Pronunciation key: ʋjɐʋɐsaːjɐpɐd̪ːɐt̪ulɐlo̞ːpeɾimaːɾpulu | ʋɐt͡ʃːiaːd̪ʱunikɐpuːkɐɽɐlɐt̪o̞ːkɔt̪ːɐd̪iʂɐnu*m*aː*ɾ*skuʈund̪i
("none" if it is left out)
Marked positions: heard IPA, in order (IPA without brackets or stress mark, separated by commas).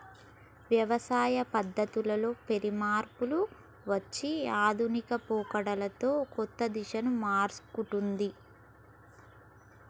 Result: m, ɾ